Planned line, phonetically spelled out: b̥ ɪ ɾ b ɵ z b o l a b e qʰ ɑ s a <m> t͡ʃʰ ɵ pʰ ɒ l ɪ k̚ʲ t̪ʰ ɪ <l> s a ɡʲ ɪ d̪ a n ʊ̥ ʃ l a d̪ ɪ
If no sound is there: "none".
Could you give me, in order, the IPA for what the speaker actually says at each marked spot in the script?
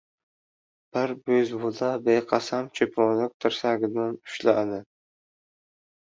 m, ɾ

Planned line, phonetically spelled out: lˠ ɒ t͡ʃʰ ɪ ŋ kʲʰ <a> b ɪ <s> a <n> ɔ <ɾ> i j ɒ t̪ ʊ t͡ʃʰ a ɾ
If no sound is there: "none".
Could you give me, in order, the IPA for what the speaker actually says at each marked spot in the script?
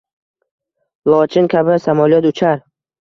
a, s, m, l

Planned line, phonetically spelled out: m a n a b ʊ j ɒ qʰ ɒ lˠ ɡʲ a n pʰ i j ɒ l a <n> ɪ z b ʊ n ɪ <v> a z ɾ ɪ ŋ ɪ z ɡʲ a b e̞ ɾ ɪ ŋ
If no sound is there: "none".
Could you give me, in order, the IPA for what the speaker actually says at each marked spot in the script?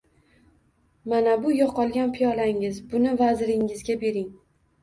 ŋ, v

